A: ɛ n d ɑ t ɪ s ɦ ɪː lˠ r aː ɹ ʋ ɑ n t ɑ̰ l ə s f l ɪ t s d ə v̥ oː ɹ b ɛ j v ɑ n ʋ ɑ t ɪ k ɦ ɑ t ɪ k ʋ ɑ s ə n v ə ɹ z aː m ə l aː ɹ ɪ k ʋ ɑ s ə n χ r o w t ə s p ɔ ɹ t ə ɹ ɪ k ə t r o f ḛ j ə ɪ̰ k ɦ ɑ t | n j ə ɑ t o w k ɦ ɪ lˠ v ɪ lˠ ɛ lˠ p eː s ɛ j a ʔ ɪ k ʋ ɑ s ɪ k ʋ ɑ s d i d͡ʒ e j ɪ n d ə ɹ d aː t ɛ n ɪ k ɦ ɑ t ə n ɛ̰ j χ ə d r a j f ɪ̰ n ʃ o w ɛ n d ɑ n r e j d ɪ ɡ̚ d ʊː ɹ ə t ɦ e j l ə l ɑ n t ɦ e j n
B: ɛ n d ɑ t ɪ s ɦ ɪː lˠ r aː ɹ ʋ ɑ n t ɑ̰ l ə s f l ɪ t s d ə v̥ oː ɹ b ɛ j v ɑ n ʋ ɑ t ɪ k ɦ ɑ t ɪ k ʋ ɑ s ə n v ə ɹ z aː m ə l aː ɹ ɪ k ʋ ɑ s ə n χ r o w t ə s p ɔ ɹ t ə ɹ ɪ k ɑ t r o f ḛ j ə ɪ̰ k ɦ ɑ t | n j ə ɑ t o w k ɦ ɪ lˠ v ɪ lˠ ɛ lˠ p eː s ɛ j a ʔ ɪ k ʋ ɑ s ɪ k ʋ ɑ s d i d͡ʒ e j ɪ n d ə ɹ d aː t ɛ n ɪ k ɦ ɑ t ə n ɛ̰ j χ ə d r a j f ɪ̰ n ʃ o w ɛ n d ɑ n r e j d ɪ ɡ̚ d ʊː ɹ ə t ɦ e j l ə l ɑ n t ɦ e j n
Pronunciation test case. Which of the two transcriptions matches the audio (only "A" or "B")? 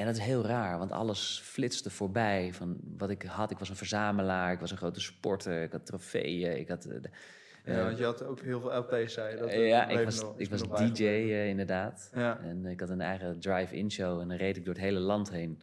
B